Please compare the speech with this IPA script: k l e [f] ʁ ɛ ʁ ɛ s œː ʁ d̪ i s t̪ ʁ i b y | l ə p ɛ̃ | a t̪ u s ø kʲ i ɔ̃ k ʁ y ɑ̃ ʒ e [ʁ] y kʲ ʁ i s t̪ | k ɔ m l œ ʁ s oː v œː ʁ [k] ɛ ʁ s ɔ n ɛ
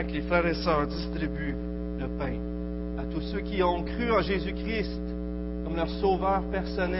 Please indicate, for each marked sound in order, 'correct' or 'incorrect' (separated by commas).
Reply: correct, incorrect, incorrect